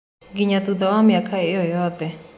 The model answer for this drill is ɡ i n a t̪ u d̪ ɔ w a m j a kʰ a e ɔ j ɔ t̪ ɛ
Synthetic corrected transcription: ɡ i ɲ a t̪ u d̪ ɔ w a m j a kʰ a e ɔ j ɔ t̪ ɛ